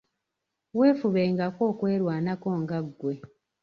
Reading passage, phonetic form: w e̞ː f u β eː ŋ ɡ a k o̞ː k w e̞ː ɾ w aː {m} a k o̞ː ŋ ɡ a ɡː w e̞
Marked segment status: incorrect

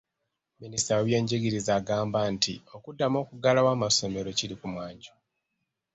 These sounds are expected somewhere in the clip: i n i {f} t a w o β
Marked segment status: incorrect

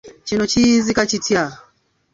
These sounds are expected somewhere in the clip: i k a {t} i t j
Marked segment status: incorrect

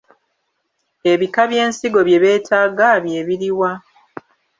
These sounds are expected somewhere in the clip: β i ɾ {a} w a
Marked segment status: incorrect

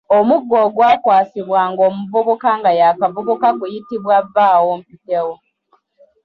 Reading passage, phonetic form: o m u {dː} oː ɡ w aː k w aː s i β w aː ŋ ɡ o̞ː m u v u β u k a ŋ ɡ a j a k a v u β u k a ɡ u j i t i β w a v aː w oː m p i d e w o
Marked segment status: incorrect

